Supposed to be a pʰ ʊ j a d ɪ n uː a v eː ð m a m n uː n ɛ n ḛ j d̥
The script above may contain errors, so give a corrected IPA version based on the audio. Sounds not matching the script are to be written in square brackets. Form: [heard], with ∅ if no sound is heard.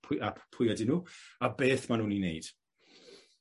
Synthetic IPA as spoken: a pʰ ʊ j a d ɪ n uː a [b] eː [θ] m a [∅] n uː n [i] n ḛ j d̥